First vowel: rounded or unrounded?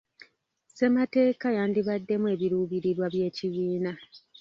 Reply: unrounded